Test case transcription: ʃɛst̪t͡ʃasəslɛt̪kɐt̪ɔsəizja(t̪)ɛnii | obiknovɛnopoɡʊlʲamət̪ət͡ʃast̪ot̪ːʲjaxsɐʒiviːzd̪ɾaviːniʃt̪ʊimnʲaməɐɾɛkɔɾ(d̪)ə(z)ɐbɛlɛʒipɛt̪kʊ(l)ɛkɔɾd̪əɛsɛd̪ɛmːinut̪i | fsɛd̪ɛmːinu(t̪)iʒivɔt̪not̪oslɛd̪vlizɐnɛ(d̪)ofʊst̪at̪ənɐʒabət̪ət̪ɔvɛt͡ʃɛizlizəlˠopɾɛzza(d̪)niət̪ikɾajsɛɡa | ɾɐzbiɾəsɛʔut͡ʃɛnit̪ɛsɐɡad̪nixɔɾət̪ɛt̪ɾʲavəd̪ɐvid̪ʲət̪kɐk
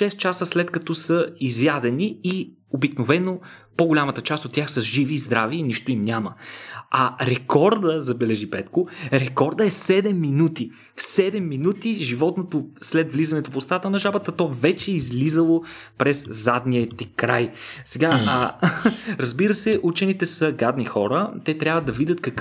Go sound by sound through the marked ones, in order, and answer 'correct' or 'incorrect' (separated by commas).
incorrect, correct, correct, incorrect, correct, incorrect, correct